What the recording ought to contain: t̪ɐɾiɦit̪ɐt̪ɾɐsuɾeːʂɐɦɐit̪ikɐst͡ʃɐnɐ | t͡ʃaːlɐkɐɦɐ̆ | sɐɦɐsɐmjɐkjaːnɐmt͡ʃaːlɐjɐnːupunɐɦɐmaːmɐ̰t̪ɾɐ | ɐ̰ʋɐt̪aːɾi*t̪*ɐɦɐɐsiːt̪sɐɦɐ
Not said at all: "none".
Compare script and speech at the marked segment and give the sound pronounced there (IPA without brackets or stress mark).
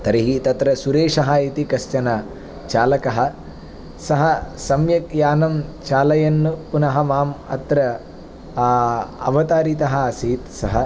t̪